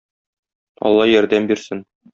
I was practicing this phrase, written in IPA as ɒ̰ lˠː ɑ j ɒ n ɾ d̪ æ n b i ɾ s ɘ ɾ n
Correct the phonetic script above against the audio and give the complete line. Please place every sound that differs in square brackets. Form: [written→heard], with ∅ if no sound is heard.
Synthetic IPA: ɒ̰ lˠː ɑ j ɒ [n→∅] ɾ d̪ æ [n→m] b i ɾ s ɘ [ɾ→∅] n